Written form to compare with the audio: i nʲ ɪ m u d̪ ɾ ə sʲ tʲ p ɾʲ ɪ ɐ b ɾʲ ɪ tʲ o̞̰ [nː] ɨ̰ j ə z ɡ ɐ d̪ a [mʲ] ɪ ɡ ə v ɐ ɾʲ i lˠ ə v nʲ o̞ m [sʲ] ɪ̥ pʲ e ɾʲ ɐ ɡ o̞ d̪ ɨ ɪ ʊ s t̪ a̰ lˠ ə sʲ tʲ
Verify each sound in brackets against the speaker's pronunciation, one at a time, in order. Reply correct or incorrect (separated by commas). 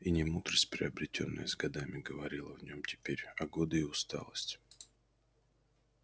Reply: correct, correct, incorrect